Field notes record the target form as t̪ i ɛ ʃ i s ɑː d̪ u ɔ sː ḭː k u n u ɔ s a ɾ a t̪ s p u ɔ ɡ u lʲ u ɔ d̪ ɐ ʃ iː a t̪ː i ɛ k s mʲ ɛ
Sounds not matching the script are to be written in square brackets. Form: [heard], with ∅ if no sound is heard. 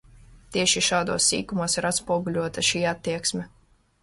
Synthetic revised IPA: t̪ i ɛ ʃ i [ʃ] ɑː d̪ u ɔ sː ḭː k u [m] u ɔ s [i] ɾ a t̪ s p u ɔ ɡ u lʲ u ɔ [t̪] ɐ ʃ iː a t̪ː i ɛ k s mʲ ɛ